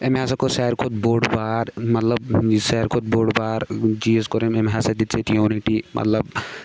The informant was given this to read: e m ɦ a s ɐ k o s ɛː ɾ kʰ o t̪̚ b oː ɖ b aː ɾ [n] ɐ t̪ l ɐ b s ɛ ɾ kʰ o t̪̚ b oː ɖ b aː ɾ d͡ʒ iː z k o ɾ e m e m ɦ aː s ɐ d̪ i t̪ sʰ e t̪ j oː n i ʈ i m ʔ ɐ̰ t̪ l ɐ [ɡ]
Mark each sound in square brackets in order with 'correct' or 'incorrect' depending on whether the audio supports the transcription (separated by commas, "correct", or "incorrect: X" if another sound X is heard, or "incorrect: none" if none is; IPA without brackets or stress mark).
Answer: incorrect: m, incorrect: b